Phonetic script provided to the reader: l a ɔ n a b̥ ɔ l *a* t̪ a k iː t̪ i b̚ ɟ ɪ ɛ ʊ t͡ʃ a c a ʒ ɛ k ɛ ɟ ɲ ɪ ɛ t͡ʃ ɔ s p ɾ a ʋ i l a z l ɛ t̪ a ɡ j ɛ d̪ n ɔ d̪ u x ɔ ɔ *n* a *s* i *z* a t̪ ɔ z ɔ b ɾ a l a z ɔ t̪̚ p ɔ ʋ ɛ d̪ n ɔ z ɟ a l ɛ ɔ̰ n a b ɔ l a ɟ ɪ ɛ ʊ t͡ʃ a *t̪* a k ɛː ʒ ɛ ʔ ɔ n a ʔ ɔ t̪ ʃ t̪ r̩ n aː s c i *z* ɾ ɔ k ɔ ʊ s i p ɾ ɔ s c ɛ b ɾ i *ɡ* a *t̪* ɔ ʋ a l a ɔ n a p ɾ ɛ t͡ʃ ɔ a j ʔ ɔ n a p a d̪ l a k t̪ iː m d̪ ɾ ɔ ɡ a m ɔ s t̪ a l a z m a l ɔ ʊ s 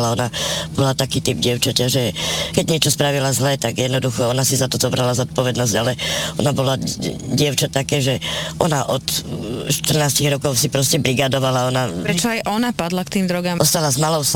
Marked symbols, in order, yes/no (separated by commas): yes, yes, yes, yes, yes, no, yes, no